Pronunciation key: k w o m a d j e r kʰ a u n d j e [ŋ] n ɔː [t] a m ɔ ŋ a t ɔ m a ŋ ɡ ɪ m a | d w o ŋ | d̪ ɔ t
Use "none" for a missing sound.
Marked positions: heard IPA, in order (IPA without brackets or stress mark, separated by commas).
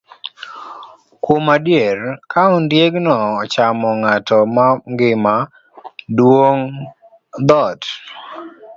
ɡ, t͡ʃ